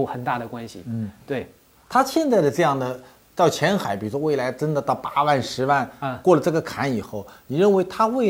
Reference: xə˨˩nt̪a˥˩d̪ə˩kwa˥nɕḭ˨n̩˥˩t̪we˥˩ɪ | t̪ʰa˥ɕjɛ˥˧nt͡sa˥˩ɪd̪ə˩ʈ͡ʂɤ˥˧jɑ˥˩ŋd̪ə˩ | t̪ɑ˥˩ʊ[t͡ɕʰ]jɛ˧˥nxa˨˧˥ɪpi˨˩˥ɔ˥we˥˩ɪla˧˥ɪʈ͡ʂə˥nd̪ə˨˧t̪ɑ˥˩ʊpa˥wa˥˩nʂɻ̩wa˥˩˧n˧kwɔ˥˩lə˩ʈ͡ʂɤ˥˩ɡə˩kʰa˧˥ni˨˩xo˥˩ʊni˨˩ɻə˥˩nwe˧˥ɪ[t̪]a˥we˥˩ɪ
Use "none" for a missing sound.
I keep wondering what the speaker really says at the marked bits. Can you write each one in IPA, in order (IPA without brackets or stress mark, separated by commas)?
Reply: t͡ɕʰ, t̪ʰ